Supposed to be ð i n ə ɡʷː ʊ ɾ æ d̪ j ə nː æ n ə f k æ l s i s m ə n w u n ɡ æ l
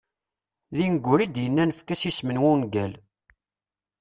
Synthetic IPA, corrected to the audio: ð i n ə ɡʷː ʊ ɾ i d̪ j ə nː æ n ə f k æ s i s m ə n w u n ɡ æ l